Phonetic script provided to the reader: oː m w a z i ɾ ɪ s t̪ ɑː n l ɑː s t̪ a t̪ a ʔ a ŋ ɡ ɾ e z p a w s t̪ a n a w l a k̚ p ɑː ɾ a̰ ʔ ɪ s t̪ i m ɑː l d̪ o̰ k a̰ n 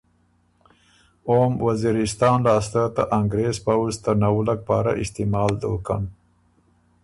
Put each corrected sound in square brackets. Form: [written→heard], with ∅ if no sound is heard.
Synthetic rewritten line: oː m w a z i ɾ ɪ s t̪ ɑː n l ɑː s t̪ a t̪ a ʔ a ŋ ɡ ɾ e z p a w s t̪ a n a w l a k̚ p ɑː ɾ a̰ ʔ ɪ s t̪ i m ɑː l d̪ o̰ k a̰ n